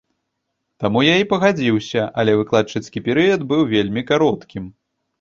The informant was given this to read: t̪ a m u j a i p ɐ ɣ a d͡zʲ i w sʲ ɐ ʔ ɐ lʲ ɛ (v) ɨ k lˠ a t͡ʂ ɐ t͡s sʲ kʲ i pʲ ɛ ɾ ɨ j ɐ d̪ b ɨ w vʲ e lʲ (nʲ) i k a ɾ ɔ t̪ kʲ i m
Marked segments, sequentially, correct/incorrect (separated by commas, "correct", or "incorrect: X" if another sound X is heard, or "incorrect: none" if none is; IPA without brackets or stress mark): correct, incorrect: mʲ